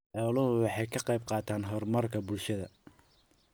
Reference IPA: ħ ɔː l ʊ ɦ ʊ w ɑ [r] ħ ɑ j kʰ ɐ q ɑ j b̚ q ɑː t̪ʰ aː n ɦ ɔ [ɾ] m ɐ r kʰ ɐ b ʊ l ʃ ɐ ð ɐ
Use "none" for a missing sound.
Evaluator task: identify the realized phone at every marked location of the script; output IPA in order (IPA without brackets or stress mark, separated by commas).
none, r